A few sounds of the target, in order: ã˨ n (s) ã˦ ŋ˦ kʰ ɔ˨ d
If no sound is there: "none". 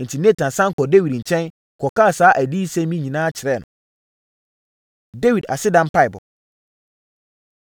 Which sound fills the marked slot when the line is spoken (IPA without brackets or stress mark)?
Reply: s